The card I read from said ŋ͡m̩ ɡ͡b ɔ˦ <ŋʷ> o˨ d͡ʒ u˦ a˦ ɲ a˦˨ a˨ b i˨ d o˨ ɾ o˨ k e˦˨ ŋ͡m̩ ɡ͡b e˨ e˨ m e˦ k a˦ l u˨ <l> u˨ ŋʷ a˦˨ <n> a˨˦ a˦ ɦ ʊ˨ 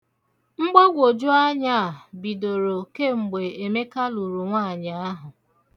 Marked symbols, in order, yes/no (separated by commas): no, no, no